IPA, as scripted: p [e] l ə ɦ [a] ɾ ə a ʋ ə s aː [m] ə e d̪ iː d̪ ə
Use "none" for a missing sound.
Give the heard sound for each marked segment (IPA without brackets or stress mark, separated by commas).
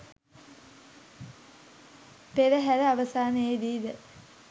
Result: e, æ, n